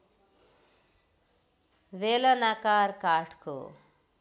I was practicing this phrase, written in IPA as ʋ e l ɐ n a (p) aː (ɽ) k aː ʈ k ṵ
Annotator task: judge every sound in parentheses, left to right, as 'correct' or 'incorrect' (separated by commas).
incorrect, incorrect